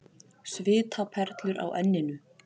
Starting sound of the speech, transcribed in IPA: s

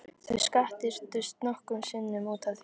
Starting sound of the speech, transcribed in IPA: θ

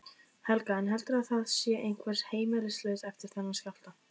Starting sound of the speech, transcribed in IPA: h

